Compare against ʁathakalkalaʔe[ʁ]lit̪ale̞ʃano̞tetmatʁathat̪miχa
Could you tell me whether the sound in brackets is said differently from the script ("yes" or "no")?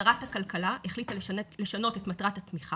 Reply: yes